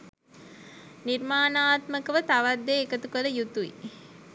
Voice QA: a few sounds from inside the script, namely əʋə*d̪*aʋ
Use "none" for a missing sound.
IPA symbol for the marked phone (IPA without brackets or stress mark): t̪